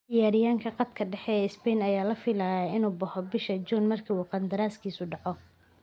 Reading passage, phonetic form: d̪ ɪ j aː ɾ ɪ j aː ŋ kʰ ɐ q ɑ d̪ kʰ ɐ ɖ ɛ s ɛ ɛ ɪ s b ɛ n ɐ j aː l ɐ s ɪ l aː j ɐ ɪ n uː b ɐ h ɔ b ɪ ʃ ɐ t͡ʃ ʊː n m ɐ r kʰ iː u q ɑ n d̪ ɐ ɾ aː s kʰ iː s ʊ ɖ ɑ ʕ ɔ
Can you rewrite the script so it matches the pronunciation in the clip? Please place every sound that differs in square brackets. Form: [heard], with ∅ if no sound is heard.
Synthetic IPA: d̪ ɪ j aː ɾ ɪ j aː ŋ kʰ ɐ q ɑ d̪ kʰ ɐ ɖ ɛ [ħ] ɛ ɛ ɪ s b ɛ n ɐ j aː l ɐ [f] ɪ l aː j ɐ ɪ n uː b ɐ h ɔ b ɪ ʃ ɐ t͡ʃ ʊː n m ɐ r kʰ iː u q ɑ n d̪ ɐ ɾ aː s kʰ iː s ʊ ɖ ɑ ʕ ɔ